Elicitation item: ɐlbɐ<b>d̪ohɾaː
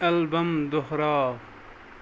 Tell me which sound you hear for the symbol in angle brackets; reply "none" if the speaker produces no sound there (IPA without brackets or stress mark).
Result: m